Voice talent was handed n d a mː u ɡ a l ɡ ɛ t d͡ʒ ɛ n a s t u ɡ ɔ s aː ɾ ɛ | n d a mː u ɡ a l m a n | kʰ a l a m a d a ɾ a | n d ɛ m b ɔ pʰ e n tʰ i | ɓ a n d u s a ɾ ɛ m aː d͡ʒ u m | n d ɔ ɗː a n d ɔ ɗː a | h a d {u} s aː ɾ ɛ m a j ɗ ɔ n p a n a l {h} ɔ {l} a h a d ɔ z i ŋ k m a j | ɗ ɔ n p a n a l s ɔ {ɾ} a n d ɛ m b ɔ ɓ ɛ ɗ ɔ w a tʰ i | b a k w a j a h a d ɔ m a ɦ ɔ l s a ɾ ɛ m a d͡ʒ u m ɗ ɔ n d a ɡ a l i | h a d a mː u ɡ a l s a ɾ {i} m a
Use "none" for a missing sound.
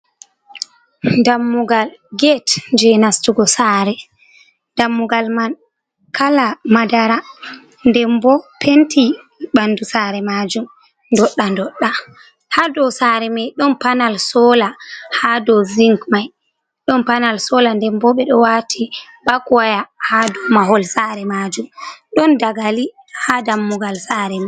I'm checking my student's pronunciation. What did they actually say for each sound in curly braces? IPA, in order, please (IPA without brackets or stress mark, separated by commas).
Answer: ɔ, s, l, l, ɛ